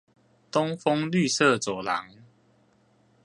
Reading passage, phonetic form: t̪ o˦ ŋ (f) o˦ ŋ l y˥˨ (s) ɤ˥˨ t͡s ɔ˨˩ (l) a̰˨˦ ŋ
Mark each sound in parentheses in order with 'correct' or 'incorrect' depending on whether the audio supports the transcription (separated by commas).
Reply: correct, correct, correct